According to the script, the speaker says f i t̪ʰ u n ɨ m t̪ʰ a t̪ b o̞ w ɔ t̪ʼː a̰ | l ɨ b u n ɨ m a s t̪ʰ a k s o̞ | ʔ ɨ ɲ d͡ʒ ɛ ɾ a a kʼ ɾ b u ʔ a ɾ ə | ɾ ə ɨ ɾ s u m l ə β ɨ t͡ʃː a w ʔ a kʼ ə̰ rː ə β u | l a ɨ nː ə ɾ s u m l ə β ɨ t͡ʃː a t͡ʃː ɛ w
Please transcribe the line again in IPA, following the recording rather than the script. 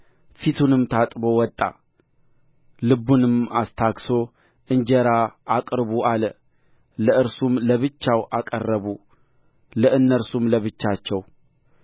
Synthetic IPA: f i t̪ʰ u n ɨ m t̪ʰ a t̪ʼ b o̞ w ɔ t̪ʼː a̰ | l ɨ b u n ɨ m a s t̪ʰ a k s o̞ | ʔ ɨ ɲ d͡ʒ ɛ ɾ a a kʼ ɾ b u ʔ a l ə | l ə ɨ ɾ s u m l ə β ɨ t͡ʃː a w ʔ a kʼ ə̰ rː ə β u | l ə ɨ nː ə ɾ s u m l ə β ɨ t͡ʃː a t͡ʃː ɛ w